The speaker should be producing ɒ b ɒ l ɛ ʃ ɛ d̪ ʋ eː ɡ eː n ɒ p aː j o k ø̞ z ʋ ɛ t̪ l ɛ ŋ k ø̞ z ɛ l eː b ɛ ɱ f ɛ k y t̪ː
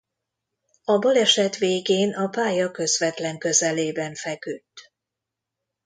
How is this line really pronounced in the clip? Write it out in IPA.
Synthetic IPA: ɒ b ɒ l ɛ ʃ ɛ t̪ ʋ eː ɡ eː n ɒ p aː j ɒ k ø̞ z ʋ ɛ t̪ l ɛ ŋ k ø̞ z ɛ l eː b ɛ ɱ f ɛ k y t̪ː